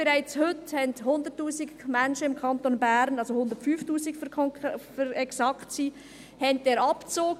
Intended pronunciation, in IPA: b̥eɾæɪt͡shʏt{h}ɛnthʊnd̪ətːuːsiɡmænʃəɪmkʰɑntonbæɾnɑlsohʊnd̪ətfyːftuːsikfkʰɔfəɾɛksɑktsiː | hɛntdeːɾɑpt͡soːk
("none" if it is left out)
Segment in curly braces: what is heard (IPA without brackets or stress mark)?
h